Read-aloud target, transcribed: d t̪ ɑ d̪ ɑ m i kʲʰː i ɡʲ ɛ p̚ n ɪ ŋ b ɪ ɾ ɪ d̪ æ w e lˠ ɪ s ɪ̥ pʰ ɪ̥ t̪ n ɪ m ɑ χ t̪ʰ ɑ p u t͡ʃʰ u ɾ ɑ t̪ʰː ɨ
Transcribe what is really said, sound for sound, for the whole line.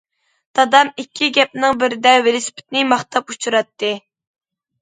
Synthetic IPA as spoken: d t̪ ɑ d̪ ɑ m i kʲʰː i ɡʲ ɛ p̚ n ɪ ŋ b ɪ ɾ ɪ d̪ ɛ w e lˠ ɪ s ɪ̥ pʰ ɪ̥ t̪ n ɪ m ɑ χ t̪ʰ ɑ p u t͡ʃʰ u ɾ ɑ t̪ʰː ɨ